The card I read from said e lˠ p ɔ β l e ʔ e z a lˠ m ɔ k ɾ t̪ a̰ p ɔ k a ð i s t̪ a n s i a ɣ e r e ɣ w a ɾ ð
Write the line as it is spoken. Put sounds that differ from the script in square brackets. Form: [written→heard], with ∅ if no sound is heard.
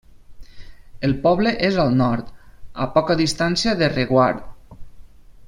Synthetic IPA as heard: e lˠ p ɔ β l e ʔ e z a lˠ [m→n] ɔ [k→∅] ɾ t̪ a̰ p ɔ k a ð i s t̪ a n s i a [ɣ→ð] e r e ɣ w a ɾ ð